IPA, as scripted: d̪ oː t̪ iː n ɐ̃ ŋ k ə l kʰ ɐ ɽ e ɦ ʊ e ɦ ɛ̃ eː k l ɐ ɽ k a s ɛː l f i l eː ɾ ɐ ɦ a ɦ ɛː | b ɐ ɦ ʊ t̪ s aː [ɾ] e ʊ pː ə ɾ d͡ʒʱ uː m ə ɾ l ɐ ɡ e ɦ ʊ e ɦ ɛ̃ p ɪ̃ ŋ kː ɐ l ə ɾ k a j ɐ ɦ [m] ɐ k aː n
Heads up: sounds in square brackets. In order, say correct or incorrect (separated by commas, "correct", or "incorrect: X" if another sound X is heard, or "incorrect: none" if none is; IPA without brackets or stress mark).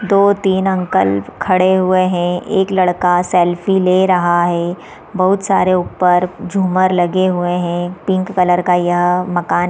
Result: correct, correct